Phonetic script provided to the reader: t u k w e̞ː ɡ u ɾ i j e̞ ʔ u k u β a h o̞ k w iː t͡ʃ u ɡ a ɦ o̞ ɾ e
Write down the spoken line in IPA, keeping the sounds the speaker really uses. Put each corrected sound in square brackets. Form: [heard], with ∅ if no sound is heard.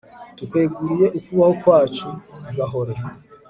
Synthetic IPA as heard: t u k w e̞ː ɡ u ɾ i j e̞ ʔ u k u β a h o̞ k w [aː] t͡ʃ u ɡ a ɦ o̞ ɾ e